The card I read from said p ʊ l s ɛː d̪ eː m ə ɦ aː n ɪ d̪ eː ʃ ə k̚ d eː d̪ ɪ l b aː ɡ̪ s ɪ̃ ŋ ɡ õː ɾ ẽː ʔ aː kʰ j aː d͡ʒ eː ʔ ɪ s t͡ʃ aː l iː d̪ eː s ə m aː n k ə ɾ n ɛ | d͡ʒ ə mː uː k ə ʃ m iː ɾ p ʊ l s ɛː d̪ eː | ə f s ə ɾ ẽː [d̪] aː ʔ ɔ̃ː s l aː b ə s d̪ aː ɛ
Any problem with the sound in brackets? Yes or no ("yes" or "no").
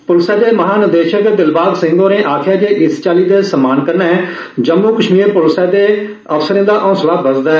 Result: no